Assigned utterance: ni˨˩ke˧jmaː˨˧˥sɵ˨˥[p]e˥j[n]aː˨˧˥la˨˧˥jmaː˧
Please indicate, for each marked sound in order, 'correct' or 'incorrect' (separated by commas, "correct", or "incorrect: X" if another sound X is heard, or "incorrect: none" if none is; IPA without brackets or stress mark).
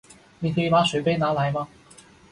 correct, correct